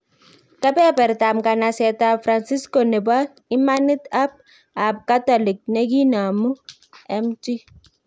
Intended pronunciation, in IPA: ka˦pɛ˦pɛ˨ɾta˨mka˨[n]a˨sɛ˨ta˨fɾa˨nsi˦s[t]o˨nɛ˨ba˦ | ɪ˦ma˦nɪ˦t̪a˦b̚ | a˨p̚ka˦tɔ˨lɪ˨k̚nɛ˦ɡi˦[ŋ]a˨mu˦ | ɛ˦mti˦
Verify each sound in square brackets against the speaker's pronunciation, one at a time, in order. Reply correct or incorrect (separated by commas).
correct, incorrect, incorrect